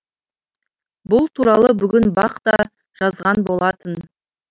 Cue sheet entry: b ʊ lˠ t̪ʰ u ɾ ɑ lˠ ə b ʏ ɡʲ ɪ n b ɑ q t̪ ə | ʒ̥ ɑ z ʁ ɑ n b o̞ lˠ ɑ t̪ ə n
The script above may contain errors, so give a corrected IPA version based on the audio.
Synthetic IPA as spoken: b ʊ lˠ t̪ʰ u ɾ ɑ lˠ ə b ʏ ɡʲ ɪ n b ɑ q t̪ ɑ | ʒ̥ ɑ z ʁ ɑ n b o̞ lˠ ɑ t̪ ə n